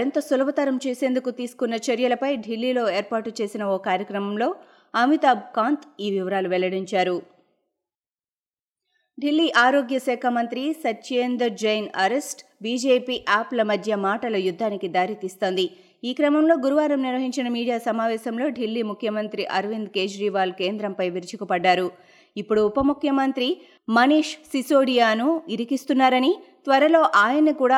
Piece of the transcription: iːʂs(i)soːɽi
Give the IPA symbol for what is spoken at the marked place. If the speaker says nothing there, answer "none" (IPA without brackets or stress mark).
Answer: i